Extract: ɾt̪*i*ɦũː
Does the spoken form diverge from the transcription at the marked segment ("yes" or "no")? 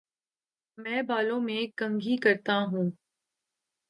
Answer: yes